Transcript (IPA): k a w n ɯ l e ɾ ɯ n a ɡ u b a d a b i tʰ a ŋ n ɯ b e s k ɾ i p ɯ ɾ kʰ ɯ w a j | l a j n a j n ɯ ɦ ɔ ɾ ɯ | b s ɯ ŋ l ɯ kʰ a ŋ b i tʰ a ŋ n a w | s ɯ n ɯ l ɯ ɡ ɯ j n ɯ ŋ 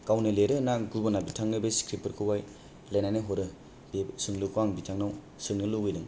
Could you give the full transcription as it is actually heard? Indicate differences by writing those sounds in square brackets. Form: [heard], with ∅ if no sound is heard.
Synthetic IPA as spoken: k a w n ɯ l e ɾ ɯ n a ɡ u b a [n] a b i tʰ a ŋ n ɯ b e s k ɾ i p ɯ ɾ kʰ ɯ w a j | l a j n a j n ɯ ɦ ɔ ɾ ɯ | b s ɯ ŋ l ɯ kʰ a ŋ b i tʰ a ŋ n a w | s ɯ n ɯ l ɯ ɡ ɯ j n ɯ ŋ